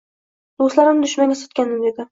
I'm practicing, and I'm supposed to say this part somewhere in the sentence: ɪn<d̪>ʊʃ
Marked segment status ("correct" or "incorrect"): correct